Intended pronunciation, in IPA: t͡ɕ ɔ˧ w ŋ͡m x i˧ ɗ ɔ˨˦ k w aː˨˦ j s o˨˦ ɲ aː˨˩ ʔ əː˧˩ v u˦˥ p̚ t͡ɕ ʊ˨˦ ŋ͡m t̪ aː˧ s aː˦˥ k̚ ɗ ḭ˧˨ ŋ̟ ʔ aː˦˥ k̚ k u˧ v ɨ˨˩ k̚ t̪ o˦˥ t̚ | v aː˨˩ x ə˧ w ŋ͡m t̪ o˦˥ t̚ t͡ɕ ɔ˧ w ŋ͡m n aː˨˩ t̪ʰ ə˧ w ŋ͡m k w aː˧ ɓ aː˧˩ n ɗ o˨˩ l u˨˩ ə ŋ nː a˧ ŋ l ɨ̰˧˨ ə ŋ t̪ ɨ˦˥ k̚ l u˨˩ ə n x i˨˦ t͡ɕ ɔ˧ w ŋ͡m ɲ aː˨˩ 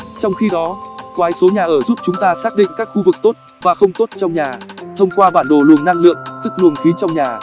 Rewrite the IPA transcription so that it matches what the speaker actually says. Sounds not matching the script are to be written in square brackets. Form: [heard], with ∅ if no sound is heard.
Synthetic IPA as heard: t͡ɕ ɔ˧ w ŋ͡m x i˧ ɗ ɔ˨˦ k w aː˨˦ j s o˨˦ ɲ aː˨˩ ʔ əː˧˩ [z] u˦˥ p̚ t͡ɕ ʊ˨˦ ŋ͡m t̪ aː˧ s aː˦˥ k̚ ɗ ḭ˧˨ ŋ̟ [k] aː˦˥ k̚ [x] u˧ v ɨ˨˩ k̚ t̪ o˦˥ t̚ | v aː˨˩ x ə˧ w ŋ͡m t̪ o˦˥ t̚ t͡ɕ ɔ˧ w ŋ͡m [ɲ] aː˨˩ t̪ʰ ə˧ w ŋ͡m k w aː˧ ɓ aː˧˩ n ɗ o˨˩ l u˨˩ ə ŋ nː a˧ ŋ l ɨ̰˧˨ ə ŋ t̪ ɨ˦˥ k̚ l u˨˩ ə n x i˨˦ t͡ɕ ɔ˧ w ŋ͡m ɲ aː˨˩